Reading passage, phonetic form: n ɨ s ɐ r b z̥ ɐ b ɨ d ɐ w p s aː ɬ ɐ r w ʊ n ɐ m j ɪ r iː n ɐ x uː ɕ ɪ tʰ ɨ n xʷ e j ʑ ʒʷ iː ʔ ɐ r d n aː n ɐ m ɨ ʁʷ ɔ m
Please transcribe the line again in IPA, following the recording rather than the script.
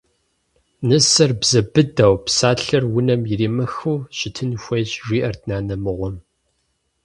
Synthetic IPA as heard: n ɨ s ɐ r b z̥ ɐ b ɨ d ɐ w p s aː ɬ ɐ r w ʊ n ɐ m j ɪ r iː m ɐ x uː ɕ ɪ tʰ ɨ n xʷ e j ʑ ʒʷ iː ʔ ɐ r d n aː n ɐ m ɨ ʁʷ ɔ m